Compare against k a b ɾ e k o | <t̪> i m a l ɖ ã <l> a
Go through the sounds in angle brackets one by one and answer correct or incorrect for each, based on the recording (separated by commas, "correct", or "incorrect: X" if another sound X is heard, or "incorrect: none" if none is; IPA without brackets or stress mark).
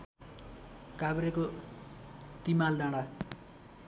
correct, incorrect: ɽ